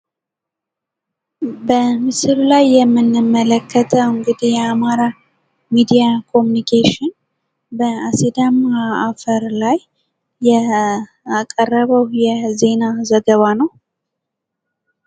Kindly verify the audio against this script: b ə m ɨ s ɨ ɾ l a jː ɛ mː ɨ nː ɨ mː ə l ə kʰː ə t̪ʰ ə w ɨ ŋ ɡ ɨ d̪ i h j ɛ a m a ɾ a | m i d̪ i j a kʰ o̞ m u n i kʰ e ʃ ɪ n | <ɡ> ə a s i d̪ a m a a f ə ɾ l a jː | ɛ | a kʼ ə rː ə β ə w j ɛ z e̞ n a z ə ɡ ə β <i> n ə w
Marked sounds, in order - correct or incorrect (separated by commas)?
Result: incorrect, incorrect